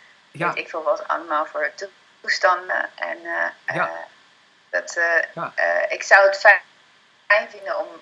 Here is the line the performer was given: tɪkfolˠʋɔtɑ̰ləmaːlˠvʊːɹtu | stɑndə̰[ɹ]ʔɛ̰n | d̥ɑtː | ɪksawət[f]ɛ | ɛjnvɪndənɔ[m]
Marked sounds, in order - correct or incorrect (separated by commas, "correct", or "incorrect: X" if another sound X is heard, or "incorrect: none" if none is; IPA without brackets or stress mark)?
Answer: incorrect: none, correct, correct